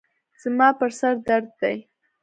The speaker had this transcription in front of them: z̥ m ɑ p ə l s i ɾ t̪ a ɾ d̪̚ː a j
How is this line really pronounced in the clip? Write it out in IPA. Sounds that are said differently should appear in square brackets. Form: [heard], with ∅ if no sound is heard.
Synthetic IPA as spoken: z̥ m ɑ p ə [ɾ] s [a] ɾ [d̪] a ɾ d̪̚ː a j